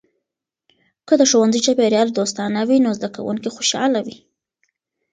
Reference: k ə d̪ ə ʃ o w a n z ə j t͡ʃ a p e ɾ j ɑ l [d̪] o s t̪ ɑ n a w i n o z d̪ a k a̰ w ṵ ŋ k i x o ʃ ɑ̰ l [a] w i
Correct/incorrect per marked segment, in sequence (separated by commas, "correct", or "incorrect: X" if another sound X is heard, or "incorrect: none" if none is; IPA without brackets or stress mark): correct, correct